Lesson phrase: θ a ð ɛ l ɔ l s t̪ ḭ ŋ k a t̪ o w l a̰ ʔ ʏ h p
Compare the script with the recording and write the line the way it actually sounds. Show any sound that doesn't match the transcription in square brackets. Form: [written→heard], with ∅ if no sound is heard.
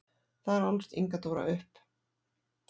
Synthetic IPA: θ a ð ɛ [l→ɾ] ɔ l s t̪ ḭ ŋ k a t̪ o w [l→ɾ] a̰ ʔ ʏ h p